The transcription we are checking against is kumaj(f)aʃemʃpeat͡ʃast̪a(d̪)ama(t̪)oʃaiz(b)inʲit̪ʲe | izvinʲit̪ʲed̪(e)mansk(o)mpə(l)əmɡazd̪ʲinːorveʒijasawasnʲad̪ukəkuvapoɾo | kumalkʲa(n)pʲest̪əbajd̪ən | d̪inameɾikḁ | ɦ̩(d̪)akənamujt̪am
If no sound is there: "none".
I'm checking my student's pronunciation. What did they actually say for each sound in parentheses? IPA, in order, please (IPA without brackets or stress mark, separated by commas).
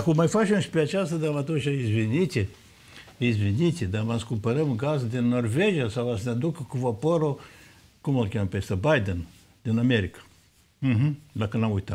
f, d̪, t̪, v, a, u, ɾ, m, d̪